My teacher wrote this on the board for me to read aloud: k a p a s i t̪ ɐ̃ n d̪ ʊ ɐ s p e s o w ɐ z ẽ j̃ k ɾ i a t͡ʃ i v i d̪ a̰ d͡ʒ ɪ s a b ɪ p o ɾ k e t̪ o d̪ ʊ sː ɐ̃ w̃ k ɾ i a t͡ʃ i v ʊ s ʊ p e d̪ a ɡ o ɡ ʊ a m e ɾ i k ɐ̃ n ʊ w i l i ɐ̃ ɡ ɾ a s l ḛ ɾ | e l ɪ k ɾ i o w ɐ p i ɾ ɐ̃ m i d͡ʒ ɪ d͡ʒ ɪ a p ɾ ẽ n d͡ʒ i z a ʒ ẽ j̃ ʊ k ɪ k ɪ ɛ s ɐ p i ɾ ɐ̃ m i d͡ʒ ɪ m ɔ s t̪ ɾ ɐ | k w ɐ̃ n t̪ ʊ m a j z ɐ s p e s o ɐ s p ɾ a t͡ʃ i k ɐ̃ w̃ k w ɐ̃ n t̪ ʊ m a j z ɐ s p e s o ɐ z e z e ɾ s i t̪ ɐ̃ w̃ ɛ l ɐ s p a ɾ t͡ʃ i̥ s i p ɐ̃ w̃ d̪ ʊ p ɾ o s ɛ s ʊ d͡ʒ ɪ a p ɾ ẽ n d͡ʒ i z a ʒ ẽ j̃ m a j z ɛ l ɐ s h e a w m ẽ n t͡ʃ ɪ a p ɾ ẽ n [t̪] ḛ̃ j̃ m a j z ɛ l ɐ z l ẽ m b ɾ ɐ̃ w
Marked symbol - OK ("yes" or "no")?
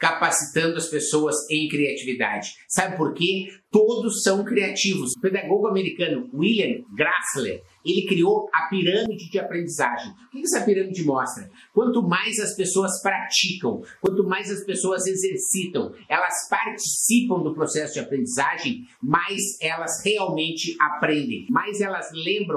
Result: no